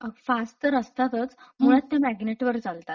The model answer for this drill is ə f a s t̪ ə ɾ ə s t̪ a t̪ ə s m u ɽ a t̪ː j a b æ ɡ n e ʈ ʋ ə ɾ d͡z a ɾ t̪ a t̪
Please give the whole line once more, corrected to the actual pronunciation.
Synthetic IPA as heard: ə f a s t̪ ə ɾ ə s t̪ a t̪ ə t͡s m u ɭ a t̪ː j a m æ ɡ n e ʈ ʋ ə ɾ d͡z a l t̪ a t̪